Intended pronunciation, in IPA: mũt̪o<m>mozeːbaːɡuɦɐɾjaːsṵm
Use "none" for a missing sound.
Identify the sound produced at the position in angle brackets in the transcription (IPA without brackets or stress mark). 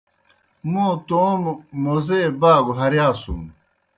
m